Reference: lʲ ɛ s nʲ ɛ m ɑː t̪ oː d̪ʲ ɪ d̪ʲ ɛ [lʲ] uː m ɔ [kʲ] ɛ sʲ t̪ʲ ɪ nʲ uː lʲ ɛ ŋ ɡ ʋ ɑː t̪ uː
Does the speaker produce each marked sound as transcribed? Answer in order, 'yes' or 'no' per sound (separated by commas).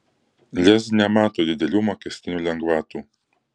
yes, yes